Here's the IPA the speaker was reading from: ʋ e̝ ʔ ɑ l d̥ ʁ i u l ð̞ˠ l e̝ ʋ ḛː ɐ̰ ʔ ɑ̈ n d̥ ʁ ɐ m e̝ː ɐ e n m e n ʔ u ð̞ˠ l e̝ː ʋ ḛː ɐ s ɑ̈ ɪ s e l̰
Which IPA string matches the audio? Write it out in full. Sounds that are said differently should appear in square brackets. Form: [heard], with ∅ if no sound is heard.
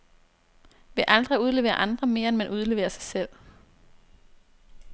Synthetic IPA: ʋ e̝ ʔ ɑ l d̥ ʁ i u [∅] ð̞ˠ l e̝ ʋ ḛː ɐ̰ ʔ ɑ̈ n d̥ ʁ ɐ m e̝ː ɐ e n m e n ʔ u ð̞ˠ l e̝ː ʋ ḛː ɐ s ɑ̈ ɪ s e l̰